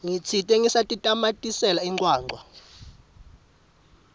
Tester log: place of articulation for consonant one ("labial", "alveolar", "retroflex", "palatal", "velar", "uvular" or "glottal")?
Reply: velar